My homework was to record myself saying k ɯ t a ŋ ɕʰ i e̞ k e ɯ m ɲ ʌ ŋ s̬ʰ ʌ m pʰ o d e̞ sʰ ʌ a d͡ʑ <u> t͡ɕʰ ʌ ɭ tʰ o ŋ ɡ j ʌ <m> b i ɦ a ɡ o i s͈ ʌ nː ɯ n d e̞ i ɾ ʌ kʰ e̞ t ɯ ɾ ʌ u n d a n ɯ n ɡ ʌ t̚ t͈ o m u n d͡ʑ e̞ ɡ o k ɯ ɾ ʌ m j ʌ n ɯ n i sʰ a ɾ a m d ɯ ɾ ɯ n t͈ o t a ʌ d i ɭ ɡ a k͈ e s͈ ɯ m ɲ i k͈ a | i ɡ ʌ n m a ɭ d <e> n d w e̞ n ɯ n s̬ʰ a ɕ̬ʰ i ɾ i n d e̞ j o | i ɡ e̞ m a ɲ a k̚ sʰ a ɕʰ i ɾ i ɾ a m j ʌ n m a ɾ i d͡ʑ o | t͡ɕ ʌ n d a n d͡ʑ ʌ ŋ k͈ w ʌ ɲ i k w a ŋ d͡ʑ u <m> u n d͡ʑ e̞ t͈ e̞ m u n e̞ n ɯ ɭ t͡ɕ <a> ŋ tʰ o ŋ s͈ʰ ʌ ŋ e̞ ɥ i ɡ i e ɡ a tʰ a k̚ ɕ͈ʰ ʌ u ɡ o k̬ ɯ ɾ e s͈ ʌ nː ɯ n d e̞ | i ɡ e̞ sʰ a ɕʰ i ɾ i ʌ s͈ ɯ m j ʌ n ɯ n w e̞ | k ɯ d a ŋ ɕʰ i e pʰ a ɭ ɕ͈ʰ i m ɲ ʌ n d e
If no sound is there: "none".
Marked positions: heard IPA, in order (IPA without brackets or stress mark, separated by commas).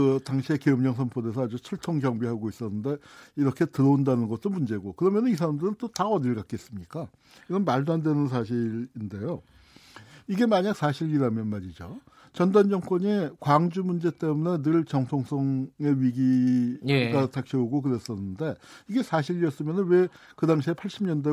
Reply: u, ŋ, a, m, ʌ